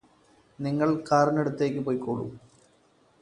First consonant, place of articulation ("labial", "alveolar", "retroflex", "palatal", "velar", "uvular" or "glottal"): alveolar